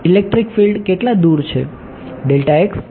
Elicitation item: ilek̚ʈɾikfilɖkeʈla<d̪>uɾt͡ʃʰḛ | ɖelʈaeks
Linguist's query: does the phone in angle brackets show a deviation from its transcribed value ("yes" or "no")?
no